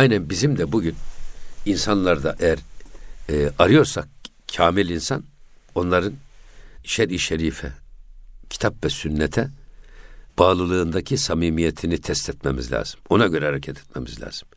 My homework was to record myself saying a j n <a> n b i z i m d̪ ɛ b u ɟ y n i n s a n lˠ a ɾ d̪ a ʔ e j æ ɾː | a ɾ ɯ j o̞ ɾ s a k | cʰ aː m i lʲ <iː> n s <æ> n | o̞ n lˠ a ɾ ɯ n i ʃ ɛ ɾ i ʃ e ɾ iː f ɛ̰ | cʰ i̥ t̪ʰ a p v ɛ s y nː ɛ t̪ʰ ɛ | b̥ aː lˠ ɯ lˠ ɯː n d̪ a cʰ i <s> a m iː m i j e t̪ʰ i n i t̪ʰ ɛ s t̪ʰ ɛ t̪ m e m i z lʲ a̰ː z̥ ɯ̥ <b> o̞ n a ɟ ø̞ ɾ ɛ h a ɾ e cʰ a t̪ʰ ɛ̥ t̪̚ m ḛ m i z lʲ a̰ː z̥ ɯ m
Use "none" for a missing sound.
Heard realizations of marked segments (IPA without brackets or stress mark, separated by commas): æ, i, a, s, m